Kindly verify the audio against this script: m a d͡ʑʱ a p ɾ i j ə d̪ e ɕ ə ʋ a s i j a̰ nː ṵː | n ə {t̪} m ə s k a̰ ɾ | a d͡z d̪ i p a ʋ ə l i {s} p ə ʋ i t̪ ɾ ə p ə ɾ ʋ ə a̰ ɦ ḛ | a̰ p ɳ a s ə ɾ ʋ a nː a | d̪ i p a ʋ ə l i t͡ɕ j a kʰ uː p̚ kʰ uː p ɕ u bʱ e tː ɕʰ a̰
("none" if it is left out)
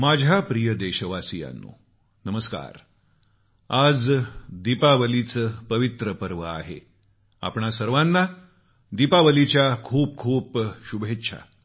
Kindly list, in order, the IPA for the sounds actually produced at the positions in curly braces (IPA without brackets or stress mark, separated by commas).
none, t͡s